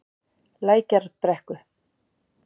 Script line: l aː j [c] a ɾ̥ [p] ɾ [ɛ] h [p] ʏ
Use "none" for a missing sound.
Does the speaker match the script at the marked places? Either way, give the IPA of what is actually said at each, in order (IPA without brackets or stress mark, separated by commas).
c, p, ɛ, k